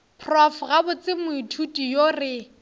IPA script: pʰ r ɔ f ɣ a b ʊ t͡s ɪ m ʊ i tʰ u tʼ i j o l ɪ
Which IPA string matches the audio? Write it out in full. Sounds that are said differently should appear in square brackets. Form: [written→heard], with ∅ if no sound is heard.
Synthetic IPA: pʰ r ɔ f ɣ a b ʊ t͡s ɪ m ʊ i tʰ u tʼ i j o [l→r] ɪ